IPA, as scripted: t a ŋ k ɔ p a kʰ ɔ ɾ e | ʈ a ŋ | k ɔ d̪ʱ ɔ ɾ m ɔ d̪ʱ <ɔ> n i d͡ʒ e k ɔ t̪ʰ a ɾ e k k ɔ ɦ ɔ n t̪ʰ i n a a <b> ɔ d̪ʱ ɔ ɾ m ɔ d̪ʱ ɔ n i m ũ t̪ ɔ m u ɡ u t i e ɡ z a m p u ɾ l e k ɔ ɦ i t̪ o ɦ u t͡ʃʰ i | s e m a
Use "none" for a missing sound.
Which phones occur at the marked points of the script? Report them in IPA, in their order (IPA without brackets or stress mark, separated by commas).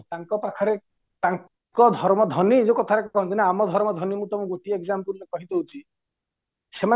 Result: ɔ, m